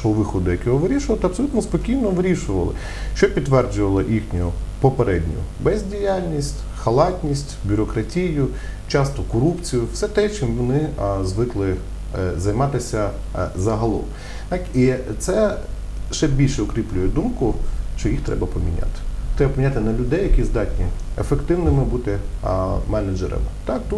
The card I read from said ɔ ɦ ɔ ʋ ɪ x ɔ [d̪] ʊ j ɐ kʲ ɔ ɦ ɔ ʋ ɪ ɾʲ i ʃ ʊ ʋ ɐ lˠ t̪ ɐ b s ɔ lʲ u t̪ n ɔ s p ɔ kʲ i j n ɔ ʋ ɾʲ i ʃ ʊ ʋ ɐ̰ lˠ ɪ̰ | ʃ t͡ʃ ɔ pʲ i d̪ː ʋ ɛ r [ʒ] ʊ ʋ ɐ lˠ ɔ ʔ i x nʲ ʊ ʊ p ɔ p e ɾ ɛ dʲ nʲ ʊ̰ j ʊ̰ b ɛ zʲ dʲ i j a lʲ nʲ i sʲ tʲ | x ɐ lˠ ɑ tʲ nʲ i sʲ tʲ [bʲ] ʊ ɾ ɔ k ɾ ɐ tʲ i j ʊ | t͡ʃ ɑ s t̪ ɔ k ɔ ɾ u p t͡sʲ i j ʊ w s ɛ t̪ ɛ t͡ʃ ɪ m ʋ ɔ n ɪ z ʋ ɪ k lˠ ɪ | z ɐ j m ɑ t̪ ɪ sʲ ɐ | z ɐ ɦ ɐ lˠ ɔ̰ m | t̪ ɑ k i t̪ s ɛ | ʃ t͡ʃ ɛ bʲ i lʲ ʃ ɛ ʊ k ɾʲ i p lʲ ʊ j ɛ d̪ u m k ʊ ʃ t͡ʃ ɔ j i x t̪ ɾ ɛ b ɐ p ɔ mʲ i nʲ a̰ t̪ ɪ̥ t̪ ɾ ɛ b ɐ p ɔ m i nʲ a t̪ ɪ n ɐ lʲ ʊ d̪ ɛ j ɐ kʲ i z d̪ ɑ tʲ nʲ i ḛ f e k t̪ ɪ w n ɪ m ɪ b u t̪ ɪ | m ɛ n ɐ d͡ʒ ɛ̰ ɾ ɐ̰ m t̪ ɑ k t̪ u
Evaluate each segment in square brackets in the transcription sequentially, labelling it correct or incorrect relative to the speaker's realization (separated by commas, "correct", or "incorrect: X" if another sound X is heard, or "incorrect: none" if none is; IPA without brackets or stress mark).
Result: correct, incorrect: d͡ʒ, correct